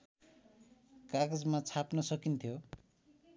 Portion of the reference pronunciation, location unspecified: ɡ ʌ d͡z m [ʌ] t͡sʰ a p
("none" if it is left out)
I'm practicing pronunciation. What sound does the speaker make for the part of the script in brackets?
a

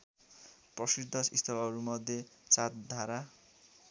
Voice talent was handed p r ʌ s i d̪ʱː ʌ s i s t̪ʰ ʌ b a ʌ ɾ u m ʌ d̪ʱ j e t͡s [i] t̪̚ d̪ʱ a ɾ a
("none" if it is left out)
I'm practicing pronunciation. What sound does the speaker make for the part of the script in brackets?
a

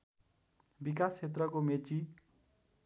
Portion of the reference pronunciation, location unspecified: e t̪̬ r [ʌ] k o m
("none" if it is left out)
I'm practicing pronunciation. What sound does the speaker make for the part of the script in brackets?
ʌ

